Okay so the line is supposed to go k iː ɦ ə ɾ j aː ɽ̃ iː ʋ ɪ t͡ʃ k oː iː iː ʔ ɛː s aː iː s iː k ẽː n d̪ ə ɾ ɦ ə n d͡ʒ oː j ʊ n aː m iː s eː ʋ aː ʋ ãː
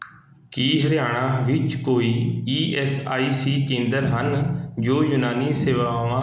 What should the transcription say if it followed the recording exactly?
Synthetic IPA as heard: k iː ɦ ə ɾ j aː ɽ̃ aː ʋ ɪ t͡ʃ k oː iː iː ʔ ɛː s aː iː s iː k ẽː n d̪ ə ɾ ɦ ə n d͡ʒ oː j ʊ n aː n iː s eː ʋ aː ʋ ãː